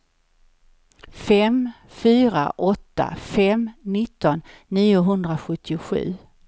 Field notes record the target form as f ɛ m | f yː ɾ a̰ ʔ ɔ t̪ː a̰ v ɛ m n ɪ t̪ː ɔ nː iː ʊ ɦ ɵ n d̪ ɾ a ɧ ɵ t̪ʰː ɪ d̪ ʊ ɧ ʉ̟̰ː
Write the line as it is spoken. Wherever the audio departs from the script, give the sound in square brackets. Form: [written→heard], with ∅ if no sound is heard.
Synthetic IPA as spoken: f ɛ m | f yː ɾ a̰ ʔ ɔ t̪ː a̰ [v→f] ɛ m n ɪ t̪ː ɔ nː iː ʊ ɦ ɵ n d̪ ɾ a ɧ ɵ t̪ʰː ɪ [d̪→∅] ʊ ɧ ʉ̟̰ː